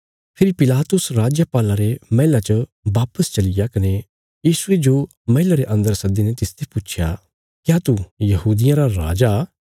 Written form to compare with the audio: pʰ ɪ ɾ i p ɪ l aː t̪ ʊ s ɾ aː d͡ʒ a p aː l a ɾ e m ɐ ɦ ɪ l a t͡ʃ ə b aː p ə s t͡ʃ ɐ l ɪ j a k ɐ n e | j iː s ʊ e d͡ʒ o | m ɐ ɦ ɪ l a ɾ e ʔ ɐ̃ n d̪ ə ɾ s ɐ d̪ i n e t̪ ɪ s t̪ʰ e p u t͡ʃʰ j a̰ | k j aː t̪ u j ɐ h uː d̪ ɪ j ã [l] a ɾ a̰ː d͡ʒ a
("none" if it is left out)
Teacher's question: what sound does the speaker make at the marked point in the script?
ɾ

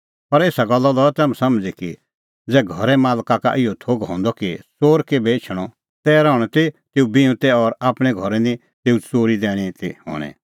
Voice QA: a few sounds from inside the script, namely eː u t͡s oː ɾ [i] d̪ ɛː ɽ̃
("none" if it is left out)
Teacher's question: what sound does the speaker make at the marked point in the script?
i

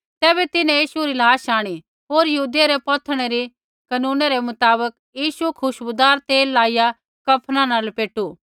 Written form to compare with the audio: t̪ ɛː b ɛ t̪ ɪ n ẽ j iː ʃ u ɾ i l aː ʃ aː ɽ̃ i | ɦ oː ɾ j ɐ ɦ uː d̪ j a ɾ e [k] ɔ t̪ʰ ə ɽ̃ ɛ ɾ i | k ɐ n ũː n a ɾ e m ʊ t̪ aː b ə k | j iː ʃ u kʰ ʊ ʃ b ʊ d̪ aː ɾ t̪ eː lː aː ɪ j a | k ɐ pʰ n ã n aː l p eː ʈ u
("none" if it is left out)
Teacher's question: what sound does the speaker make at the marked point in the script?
p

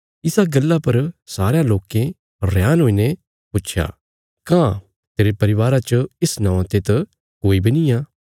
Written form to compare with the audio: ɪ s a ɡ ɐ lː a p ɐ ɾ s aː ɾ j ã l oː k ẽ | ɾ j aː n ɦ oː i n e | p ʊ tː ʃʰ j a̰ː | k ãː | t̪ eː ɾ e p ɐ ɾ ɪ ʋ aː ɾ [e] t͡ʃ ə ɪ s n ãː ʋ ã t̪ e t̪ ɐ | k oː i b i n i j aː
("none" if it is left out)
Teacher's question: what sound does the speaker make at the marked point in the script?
a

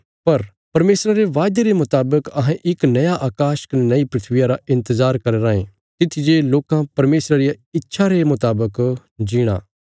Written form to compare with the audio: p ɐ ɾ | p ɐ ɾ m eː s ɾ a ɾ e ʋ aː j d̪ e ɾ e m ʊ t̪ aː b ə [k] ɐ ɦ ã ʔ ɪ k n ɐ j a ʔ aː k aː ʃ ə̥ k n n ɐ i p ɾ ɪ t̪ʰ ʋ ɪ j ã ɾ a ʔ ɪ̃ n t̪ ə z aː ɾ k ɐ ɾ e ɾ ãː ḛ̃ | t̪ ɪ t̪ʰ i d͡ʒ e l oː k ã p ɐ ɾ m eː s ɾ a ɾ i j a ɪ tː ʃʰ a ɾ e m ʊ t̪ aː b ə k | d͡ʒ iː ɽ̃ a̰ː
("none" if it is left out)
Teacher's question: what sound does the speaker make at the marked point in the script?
k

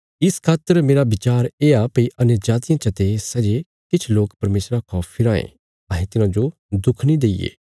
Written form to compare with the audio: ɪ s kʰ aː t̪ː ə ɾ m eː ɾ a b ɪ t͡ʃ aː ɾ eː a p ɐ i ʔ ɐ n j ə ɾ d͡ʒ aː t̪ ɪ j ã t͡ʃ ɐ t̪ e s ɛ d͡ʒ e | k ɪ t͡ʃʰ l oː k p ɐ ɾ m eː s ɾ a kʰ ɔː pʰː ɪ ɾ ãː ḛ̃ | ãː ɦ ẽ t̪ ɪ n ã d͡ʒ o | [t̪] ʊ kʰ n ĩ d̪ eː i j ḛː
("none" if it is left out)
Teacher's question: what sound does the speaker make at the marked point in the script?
d̪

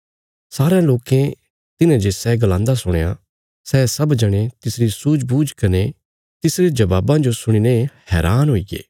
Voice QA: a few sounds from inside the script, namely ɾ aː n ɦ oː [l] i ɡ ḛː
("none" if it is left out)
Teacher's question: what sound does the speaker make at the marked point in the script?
none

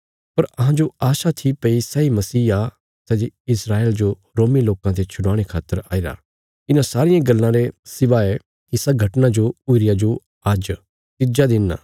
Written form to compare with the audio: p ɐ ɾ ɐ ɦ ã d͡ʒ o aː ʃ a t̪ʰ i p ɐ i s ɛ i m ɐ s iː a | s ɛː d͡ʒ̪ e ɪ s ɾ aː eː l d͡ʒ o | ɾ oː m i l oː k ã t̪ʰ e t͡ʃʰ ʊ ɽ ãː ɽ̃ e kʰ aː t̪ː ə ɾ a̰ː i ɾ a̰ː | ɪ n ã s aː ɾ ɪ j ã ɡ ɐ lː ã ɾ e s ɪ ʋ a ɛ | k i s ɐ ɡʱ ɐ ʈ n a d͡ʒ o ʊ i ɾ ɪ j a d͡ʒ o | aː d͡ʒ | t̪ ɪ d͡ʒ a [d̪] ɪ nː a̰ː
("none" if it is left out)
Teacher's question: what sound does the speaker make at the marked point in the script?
d̪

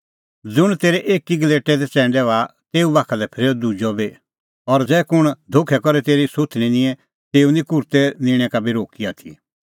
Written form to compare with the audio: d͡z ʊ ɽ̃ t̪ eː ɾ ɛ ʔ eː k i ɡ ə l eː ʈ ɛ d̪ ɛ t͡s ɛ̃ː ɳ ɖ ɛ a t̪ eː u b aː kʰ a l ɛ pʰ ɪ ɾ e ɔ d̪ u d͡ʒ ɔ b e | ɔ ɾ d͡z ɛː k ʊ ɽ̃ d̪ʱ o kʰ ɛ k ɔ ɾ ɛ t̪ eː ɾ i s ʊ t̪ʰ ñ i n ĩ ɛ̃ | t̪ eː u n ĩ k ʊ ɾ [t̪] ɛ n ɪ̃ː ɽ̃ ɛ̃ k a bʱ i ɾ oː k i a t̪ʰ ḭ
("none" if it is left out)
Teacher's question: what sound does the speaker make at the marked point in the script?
t̪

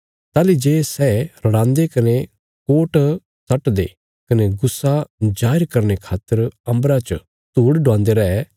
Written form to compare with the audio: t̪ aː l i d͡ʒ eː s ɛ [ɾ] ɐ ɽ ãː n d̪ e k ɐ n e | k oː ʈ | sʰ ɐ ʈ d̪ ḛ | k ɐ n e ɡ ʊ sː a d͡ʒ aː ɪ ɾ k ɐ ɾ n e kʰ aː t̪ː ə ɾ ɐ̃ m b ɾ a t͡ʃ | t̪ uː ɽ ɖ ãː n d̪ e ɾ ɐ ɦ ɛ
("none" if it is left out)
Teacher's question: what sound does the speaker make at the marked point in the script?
ɾ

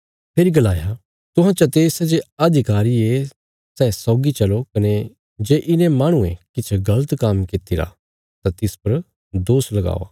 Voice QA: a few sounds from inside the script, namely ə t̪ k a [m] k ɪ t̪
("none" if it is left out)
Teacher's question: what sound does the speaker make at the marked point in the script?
m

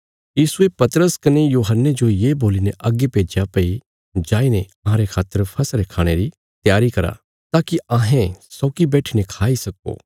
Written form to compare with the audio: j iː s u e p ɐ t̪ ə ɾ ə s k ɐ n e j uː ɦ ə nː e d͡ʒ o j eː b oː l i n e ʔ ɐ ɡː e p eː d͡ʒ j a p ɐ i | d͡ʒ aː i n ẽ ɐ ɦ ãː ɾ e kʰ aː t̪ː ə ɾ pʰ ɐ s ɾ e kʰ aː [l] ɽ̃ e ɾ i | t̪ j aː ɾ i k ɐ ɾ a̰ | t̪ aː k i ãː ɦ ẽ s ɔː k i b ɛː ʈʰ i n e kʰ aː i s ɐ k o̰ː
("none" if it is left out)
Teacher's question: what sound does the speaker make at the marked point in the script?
none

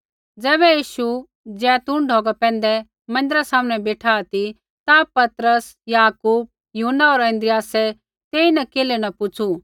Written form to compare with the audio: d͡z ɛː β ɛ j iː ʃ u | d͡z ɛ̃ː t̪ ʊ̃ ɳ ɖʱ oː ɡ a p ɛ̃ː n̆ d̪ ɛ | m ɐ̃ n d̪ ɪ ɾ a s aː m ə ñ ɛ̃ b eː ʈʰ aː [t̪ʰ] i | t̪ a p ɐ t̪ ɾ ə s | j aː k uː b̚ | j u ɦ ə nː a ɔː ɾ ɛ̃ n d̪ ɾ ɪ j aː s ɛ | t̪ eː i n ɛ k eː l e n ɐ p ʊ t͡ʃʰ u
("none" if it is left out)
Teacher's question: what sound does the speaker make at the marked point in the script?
t̪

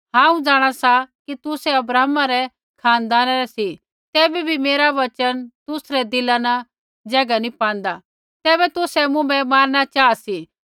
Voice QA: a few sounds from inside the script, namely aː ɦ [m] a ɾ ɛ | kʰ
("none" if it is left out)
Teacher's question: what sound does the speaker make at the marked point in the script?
m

